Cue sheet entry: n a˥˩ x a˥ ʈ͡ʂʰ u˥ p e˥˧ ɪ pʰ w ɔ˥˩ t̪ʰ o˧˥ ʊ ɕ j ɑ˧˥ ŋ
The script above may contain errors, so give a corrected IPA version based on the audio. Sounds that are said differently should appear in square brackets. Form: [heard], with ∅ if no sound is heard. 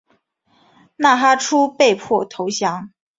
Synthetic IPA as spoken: n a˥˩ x a˥ ʈ͡ʂʰ u˥ p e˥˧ ɪ pʰ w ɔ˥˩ t̪ʰ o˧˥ ʊ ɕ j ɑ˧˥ ŋ

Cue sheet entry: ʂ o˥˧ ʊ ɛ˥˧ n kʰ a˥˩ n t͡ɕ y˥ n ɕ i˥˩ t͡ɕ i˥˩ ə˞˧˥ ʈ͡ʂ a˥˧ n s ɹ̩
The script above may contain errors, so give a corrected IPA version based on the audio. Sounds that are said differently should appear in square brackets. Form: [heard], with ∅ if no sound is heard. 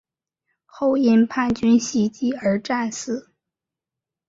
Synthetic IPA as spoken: [x] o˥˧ ʊ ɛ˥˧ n [pʰ] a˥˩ n t͡ɕ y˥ n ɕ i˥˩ t͡ɕ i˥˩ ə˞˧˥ ʈ͡ʂ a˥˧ n s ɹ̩

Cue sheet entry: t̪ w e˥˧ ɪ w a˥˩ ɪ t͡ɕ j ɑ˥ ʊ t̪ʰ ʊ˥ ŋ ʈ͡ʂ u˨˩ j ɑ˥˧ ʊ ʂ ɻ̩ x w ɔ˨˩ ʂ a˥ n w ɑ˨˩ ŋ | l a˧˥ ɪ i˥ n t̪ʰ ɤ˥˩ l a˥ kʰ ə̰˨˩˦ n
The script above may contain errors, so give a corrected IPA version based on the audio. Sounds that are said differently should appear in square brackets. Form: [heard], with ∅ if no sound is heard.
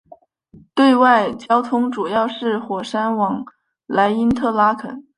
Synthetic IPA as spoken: t̪ w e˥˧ ɪ w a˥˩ ɪ t͡ɕ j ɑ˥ ʊ t̪ʰ ʊ˥ ŋ ʈ͡ʂ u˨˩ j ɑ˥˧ ʊ ʂ ɻ̩ x w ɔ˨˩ ʂ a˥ n w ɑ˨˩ ŋ | l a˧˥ ɪ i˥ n t̪ʰ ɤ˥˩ l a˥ kʰ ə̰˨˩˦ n

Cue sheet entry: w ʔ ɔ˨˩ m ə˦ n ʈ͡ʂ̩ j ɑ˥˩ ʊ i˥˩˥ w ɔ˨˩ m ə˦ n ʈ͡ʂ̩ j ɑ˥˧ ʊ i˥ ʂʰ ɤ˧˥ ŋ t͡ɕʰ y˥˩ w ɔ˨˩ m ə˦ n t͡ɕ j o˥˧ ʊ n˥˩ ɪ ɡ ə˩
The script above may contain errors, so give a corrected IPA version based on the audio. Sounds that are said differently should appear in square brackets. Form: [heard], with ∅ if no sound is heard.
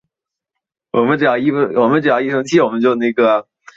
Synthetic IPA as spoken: w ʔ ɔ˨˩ m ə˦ n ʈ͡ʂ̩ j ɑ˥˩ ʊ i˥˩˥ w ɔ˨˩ m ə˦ n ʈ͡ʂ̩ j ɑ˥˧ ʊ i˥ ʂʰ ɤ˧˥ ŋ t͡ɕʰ [i˥˩] w ɔ˨˩ m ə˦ n t͡ɕ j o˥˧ ʊ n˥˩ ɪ ɡ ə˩

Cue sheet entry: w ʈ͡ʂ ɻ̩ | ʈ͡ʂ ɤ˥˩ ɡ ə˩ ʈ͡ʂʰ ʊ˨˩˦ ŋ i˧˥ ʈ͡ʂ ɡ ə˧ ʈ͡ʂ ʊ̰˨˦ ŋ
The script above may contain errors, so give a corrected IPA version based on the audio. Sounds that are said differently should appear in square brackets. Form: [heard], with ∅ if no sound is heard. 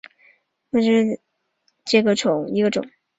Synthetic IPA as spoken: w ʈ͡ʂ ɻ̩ | ʈ͡ʂ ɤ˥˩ ɡ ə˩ [ʈ͡ʂ] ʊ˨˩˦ ŋ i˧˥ [∅] ɡ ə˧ ʈ͡ʂ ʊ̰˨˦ ŋ

